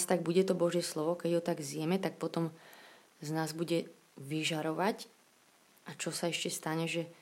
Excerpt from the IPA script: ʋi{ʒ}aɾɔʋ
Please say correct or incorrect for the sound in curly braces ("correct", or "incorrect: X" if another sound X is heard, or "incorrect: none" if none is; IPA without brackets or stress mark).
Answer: correct